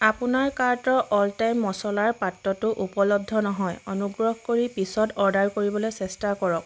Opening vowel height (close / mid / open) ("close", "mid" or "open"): open